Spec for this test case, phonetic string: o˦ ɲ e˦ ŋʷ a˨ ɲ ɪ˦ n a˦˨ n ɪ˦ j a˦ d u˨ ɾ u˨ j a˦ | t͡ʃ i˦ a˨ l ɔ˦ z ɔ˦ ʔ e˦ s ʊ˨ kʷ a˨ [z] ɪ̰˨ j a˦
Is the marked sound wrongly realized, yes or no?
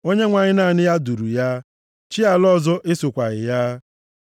yes